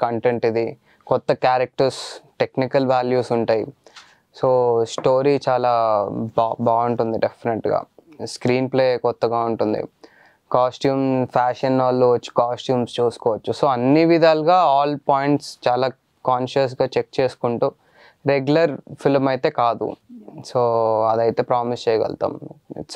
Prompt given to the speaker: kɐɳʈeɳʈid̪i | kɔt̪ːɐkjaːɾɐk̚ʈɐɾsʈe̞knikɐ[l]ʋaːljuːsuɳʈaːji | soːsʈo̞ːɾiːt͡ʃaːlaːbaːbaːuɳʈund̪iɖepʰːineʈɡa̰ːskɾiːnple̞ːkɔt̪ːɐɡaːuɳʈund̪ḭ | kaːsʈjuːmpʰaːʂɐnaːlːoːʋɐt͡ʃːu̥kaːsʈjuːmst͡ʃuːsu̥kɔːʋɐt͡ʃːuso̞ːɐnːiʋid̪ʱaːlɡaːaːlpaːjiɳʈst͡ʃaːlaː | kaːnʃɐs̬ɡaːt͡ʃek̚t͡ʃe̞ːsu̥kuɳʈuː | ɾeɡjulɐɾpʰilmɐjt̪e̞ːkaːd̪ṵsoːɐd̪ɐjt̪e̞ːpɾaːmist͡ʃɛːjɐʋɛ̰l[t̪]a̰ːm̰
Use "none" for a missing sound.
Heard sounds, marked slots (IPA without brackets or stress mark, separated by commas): l, t̪